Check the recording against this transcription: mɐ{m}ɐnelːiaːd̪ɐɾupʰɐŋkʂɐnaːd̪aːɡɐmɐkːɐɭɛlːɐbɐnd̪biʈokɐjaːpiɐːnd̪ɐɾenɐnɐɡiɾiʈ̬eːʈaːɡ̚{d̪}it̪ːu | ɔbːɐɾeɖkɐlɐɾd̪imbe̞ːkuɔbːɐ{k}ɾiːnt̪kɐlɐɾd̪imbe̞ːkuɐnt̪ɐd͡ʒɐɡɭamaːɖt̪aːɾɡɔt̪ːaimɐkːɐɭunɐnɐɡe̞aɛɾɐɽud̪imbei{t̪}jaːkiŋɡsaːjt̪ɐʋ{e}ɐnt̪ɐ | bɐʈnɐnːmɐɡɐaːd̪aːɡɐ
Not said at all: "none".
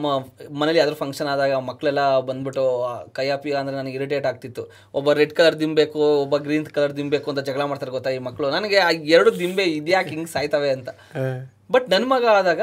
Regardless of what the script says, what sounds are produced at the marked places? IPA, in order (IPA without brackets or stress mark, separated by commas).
m, t̪, ɡ, d̪, e